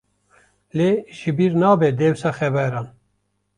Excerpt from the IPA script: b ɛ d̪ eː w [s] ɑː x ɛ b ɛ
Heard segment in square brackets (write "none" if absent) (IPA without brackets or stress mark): s